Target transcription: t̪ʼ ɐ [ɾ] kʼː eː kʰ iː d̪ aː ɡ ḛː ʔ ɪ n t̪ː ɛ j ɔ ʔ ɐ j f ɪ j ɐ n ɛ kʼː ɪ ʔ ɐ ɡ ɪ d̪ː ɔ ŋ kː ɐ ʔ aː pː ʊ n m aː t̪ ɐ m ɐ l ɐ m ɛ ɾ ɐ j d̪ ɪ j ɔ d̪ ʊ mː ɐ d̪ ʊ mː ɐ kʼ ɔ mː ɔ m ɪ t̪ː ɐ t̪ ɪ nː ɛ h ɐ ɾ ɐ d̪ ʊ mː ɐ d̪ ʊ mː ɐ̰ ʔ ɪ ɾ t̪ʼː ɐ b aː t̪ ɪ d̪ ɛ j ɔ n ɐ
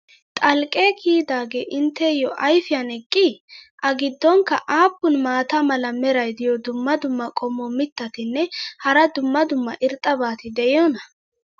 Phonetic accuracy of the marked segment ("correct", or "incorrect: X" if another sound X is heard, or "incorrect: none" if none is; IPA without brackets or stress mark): incorrect: l